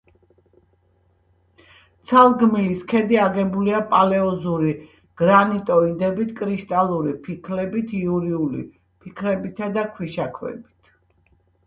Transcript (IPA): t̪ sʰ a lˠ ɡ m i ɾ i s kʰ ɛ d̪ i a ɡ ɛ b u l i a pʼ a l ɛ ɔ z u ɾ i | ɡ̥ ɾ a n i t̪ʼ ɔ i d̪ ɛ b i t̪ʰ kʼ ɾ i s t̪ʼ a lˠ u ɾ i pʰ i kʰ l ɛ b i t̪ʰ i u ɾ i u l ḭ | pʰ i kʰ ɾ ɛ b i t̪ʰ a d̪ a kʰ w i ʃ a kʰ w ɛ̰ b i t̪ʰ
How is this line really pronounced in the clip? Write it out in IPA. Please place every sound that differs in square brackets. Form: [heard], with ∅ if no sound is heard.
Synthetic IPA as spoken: t̪ sʰ a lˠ ɡ m i [l] i s kʰ ɛ d̪ i a ɡ ɛ b u l i a pʼ a l ɛ ɔ z u ɾ i | ɡ̥ ɾ a n i t̪ʼ ɔ i d̪ ɛ b i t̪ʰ kʼ ɾ i [ʃ] t̪ʼ a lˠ u ɾ i pʰ i kʰ l ɛ b i t̪ʰ i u ɾ i u l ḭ | pʰ i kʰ ɾ ɛ b i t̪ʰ a d̪ a kʰ w i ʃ a kʰ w ɛ̰ b i t̪ʰ